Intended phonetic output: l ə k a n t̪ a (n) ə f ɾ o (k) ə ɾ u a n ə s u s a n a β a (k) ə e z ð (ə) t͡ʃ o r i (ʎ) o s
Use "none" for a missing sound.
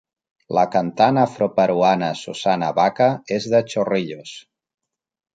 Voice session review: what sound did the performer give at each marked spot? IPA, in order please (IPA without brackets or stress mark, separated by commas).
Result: n, p, k, ə, ʎ